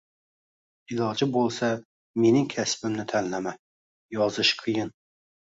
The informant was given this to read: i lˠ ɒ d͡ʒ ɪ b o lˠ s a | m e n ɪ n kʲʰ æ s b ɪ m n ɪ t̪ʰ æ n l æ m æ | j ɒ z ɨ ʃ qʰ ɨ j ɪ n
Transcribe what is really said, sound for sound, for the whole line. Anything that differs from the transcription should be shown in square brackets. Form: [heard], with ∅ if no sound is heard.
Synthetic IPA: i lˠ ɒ d͡ʒ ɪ b o lˠ s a | m e n ɪ [ŋ] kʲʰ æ s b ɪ m n ɪ t̪ʰ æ n l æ m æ | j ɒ z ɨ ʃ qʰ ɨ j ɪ n

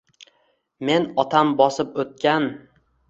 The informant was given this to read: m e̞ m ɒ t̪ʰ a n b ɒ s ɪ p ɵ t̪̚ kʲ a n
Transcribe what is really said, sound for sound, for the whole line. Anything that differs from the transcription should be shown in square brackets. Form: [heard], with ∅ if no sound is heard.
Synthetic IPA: m e̞ [n] ɒ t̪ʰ a [m] b ɒ s ɪ p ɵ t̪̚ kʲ a n

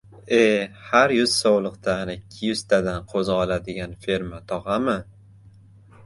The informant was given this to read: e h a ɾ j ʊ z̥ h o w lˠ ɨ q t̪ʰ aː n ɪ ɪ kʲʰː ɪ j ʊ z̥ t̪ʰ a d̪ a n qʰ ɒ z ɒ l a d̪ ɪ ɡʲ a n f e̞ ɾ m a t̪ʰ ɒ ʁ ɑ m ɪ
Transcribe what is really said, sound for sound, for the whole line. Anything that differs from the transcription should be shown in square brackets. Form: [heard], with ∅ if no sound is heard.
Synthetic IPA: e h a ɾ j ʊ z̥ [s] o w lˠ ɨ q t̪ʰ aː n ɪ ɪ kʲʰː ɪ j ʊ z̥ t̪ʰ a d̪ a n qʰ [o] z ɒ l a d̪ ɪ ɡʲ a n f e̞ ɾ m a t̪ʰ ɒ ʁ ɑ m ɪ

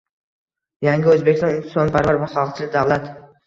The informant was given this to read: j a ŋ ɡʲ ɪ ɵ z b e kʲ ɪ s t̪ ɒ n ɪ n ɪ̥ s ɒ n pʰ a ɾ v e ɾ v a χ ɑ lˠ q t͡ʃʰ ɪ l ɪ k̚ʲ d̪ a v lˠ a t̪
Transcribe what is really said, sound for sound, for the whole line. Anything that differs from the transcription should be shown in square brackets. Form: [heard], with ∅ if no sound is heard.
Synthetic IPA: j a ŋ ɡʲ ɪ ɵ z b e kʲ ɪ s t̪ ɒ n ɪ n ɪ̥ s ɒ n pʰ a ɾ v [a] ɾ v a χ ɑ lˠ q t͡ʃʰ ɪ l ɪ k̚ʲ d̪ a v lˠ a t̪

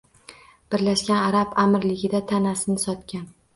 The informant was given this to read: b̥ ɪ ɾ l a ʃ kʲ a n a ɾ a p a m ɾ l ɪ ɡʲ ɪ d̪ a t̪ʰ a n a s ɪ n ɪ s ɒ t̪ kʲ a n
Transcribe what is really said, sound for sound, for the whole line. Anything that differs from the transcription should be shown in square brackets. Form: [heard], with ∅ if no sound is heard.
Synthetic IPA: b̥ ɪ ɾ l a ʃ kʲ a n a ɾ a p a m ɾ l ɪ ɡʲ ɪ d̪ a t̪ʰ a n a s ɪ n ɪ s ɒ t̪ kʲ a n

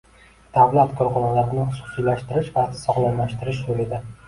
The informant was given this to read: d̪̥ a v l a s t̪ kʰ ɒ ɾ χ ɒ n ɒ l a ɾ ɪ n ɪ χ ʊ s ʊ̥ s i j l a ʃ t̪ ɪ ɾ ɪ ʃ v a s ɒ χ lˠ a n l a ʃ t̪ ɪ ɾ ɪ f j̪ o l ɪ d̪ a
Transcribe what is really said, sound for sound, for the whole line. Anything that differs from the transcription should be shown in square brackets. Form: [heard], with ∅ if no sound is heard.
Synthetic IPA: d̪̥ a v l a [∅] t̪ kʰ ɒ ɾ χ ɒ n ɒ l a ɾ ɪ n ɪ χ ʊ s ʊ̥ s i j l a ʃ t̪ ɪ ɾ ɪ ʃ v a s ɒ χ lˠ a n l a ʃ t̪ ɪ ɾ ɪ [ʃ] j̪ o l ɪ d̪ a

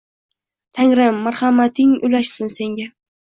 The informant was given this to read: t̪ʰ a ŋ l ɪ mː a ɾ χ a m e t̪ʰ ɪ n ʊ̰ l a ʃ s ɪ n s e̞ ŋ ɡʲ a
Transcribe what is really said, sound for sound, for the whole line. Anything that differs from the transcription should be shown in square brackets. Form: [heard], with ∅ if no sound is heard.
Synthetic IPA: t̪ʰ a ŋ [ɾ] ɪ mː a ɾ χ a m [a] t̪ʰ ɪ [ŋ] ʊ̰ l a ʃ s ɪ n s e̞ ŋ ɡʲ a

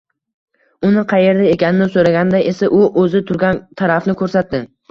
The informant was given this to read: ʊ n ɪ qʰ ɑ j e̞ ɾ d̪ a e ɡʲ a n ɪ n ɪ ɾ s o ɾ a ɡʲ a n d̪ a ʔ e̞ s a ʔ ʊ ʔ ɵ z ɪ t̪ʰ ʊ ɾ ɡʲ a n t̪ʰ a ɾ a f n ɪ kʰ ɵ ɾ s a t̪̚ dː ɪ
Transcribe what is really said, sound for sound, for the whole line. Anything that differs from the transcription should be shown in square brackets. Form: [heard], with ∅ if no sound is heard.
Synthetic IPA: ʊ n ɪ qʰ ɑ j e̞ ɾ d̪ a e [kʲ] a n ɪ n ɪ [∅] s o ɾ a ɡʲ a n d̪ a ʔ e̞ s a ʔ ʊ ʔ ɵ z ɪ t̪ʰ ʊ ɾ ɡʲ a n t̪ʰ a ɾ a f n ɪ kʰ ɵ ɾ s a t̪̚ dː ɪ

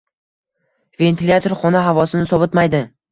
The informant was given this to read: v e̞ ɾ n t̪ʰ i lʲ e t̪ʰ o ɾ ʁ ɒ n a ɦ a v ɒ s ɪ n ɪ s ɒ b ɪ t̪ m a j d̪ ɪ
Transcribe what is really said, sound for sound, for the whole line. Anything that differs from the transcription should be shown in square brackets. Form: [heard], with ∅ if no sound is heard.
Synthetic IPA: v e̞ [∅] n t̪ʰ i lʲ [a] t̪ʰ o ɾ [χ] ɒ n a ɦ a v ɒ s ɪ n ɪ s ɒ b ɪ t̪ m a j d̪ ɪ

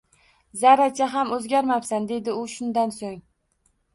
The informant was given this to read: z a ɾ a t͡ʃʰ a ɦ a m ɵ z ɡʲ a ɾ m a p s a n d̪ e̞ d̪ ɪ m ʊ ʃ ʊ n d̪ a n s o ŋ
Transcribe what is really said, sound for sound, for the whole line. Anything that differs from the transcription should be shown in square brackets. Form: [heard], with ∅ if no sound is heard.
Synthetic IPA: z a ɾ a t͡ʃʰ a ɦ a m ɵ z ɡʲ a ɾ m a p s a n d̪ e̞ d̪ ɪ [∅] ʊ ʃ ʊ n d̪ a n s o ŋ

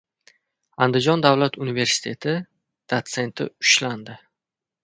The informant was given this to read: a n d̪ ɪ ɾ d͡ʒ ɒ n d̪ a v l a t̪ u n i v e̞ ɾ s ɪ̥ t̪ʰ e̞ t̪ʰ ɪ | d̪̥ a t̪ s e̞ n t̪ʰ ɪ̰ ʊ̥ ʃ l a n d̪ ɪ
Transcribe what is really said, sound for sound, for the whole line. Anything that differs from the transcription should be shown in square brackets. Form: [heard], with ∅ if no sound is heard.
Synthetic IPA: a n d̪ ɪ [∅] d͡ʒ ɒ n d̪ a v l a t̪ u n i v e̞ ɾ s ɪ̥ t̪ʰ e̞ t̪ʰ ɪ | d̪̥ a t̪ s e̞ n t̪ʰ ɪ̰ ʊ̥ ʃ l a n d̪ ɪ

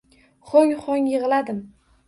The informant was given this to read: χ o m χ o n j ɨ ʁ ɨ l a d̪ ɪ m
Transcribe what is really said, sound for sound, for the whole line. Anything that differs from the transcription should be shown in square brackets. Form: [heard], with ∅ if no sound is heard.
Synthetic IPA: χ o [ŋ] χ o [ŋ] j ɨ ʁ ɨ l a d̪ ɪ m

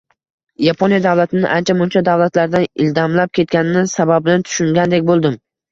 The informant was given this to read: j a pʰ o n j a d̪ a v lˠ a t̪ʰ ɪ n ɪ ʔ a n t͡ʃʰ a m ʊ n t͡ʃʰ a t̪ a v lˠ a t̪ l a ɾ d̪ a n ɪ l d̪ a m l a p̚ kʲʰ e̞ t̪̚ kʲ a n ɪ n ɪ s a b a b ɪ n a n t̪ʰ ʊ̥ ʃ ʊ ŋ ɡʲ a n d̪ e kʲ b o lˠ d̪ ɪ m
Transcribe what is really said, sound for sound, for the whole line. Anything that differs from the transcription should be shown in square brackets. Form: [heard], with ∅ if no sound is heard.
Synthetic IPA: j a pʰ o n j a d̪ a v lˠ a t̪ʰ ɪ n ɪ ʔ a n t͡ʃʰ a m ʊ n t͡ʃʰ a [d̪] a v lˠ a t̪ l a ɾ d̪ a n ɪ l d̪ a m l a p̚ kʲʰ e̞ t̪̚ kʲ a n ɪ n ɪ s a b a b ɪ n a n t̪ʰ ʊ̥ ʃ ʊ ŋ ɡʲ a n d̪ e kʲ b o lˠ d̪ ɪ m

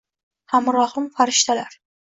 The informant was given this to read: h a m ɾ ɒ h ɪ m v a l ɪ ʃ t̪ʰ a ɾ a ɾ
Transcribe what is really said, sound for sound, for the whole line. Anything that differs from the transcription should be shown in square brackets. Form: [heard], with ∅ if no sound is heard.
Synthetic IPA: h a m ɾ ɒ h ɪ m [f] a [ɾ] ɪ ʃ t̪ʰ a [l] a ɾ

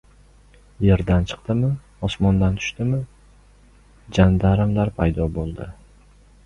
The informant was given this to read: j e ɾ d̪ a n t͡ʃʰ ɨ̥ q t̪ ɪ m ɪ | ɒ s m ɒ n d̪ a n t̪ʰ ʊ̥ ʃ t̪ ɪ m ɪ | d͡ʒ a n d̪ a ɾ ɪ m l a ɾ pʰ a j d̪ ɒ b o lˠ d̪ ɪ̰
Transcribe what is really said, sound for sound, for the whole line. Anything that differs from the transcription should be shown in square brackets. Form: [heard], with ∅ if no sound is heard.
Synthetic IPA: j e ɾ d̪ a n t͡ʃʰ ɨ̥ q t̪ ɪ m ɪ | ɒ s m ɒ n d̪ a n t̪ʰ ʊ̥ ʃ t̪ ɪ m ɪ | d͡ʒ a n d̪ a ɾ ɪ m l a ɾ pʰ a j d̪ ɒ b o lˠ d̪ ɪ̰

